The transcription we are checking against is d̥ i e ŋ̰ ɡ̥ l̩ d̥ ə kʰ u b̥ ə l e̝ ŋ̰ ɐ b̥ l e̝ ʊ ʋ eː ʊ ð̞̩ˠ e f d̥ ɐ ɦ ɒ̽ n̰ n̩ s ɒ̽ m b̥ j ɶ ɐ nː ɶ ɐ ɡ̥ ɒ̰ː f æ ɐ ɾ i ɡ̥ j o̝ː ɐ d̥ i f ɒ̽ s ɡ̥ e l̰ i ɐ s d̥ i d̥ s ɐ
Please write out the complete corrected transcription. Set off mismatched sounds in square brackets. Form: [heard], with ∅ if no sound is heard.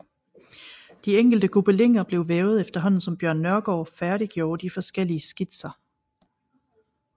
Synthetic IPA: d̥ i e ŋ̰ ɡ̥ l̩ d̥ ə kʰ u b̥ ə l e̝ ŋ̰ ɐ b̥ l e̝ ʊ ʋ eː ʊ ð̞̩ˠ e f d̥ ɐ ɦ ɒ̽ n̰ n̩ s ɒ̽ m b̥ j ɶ ɐ nː ɶ ɐ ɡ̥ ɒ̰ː f æ ɐ ɾ i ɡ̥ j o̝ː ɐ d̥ i f ɒ̽ s ɡ̥ e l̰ i [ə] s [ɡ̥] i d̥ s ɐ